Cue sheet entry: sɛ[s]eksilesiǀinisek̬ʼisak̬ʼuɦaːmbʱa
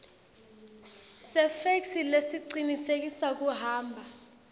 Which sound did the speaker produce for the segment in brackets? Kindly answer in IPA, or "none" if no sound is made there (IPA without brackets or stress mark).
f